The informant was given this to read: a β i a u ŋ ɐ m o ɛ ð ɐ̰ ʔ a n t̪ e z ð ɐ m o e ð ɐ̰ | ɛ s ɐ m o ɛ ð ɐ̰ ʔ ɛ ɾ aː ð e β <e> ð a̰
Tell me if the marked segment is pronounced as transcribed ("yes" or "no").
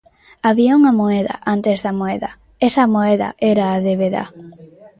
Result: yes